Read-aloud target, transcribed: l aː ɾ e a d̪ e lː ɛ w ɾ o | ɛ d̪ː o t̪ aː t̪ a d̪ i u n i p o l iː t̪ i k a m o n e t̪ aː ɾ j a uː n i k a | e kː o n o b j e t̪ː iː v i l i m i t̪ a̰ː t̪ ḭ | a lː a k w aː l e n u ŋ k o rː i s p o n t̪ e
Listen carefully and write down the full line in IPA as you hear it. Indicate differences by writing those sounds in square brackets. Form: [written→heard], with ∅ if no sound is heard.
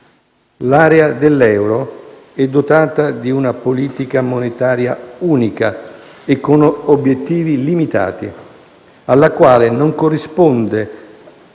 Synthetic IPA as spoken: l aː ɾ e a d̪ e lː ɛ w ɾ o | ɛ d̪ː o t̪ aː t̪ a d̪ i u n [i→a] p o l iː t̪ i k a m o n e t̪ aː ɾ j a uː n i k a | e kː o n o b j e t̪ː iː v i l i m i t̪ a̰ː t̪ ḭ | a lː a k w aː l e n [u→o] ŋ k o rː i s p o n [t̪→d̪] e